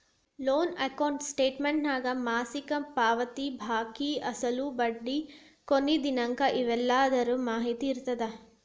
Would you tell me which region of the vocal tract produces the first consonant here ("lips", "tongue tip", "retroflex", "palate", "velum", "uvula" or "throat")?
tongue tip